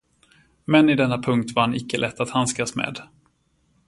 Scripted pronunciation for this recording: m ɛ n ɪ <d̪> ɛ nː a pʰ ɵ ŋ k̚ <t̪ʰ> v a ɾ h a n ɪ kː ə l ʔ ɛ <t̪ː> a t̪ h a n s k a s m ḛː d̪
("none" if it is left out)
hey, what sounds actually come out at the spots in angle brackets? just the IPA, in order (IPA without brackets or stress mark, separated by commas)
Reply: d̪, t̪, t̪ː